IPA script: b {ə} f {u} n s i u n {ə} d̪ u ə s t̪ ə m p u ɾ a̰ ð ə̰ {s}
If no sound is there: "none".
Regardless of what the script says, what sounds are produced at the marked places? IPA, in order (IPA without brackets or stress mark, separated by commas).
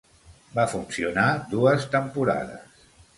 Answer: a, u, a, s